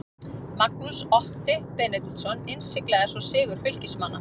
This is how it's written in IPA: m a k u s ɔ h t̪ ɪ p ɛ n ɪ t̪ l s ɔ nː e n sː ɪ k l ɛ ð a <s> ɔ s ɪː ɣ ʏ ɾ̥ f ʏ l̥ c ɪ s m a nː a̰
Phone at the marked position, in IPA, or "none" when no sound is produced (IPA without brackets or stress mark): s